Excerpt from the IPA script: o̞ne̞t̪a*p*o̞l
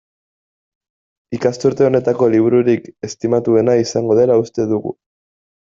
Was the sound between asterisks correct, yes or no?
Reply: no